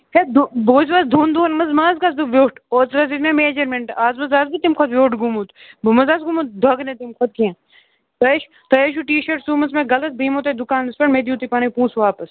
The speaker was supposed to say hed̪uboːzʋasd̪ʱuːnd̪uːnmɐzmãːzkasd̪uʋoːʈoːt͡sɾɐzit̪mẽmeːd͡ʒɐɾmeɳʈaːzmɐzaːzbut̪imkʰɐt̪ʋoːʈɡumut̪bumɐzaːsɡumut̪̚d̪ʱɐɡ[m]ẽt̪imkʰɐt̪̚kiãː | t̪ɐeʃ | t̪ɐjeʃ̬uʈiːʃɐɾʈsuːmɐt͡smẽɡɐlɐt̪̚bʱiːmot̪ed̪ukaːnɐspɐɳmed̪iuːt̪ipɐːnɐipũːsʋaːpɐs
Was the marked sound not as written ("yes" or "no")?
yes